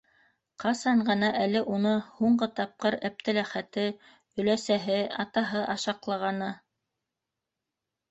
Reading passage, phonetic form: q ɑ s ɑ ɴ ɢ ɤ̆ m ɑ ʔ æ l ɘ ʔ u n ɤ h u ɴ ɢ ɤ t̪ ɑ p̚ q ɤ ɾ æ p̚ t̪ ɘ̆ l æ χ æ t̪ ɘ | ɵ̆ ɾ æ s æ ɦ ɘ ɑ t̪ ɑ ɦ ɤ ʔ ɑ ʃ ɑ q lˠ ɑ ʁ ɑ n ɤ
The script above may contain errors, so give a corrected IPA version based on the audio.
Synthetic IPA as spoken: q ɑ s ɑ ɴ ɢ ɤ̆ n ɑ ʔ æ l ɘ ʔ u n ɤ h u ɴ ɢ ɤ t̪ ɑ p̚ q ɤ ɾ æ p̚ t̪ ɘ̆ l æ χ æ t̪ ɘ | ɵ̆ l æ s æ ɦ ɘ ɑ t̪ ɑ ɦ ɤ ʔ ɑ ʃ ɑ q lˠ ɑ ʁ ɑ n ɤ